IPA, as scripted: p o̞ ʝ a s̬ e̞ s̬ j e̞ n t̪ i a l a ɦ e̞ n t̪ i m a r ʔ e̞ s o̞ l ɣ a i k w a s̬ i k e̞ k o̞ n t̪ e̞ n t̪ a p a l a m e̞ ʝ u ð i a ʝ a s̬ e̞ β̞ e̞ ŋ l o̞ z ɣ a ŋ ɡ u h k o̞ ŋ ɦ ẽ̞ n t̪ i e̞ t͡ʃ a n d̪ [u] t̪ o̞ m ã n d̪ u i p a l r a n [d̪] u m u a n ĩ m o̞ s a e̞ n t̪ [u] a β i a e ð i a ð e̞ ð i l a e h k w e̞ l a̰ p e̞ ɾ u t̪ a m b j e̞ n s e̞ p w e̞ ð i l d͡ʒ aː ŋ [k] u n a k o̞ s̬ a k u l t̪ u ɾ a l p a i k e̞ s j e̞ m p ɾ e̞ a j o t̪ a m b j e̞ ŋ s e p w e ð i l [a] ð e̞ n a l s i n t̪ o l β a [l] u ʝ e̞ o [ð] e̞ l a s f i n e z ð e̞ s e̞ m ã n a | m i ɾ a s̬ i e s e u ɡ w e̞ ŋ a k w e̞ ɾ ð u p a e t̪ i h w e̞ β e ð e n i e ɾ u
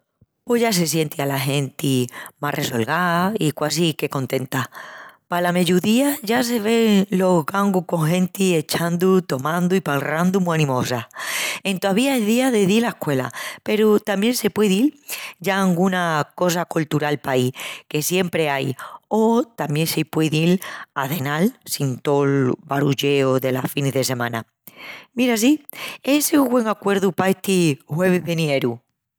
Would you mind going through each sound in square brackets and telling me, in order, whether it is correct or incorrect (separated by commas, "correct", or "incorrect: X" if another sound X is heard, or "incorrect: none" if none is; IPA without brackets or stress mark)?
correct, correct, incorrect: o, incorrect: ɡ, correct, incorrect: ɾ, correct